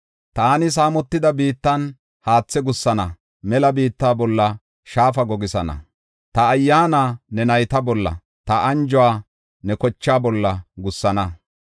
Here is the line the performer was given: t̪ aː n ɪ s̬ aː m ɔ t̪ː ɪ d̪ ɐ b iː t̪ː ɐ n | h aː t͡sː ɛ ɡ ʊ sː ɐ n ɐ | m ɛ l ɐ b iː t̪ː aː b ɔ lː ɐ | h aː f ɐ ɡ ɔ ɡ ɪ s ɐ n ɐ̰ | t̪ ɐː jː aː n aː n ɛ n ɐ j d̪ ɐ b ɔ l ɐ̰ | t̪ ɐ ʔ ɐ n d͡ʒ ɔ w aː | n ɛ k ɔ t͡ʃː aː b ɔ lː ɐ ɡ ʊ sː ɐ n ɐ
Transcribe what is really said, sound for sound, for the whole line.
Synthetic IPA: t̪ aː n ɪ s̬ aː m ɔ t̪ː ɪ d̪ ɐ b iː t̪ː ɐ n | h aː t͡sː ɛ ɡ ʊ sː ɐ n ɐ | m ɛ l ɐ b iː t̪ː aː b ɔ lː ɐ | ʃ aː f ɐ ɡ ɔ ɡ ɪ s ɐ n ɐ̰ | t̪ ɐː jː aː n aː n ɛ n ɐ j t̪ ɐ b ɔ lː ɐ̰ | t̪ ɐ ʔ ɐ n d͡ʒ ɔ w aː | n ɛ k ɔ t͡ʃː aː b ɔ lː ɐ ɡ ʊ sː ɐ n ɐ